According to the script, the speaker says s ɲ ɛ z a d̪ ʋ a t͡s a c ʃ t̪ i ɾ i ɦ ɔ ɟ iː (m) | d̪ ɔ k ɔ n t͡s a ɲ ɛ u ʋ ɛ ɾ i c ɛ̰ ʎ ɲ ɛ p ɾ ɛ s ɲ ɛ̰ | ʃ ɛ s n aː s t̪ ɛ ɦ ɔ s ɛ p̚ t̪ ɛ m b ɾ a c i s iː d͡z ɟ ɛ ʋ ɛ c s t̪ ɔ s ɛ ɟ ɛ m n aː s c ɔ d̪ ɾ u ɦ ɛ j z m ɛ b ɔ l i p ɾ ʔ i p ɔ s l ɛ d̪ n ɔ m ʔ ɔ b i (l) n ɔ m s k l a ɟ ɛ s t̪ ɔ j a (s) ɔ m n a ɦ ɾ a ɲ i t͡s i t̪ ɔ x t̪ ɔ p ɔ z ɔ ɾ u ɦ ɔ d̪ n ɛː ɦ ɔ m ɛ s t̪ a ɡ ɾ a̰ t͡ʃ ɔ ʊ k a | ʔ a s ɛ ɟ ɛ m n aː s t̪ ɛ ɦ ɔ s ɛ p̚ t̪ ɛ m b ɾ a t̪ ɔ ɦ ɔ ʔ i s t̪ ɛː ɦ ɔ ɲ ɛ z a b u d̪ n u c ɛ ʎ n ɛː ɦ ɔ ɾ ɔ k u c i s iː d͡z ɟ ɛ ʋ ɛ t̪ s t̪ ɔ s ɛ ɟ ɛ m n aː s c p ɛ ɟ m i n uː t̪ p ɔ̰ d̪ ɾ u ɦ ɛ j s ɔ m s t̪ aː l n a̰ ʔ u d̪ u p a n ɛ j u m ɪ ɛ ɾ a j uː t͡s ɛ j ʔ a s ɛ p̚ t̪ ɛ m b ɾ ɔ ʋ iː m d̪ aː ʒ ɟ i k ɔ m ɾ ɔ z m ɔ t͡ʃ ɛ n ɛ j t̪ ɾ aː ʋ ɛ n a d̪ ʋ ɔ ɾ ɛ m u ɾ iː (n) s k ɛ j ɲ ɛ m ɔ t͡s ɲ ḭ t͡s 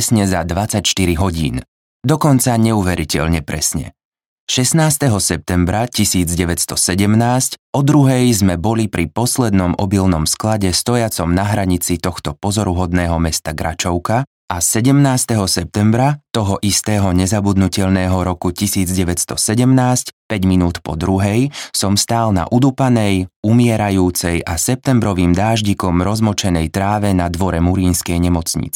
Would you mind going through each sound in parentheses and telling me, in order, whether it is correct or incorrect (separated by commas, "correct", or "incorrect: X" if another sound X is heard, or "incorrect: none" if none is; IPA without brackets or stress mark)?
incorrect: n, correct, incorrect: t͡s, correct